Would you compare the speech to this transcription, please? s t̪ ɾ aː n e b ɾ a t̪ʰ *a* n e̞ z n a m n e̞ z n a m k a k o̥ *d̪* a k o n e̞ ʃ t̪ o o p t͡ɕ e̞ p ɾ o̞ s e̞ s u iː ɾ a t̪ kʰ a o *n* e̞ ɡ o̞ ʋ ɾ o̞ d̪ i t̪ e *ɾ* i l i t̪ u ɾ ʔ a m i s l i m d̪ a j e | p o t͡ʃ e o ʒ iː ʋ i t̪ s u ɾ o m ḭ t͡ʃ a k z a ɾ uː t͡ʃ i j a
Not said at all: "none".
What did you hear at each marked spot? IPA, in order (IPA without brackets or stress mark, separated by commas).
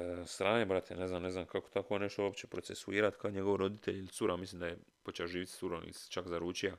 e, t̪, ɲ, ʎ